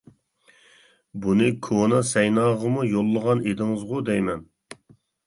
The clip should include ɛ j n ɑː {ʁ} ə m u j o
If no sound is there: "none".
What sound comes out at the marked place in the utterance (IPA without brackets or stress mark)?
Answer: ʁ